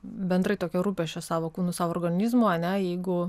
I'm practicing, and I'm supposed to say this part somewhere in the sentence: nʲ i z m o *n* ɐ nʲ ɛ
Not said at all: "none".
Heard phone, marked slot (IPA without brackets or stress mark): none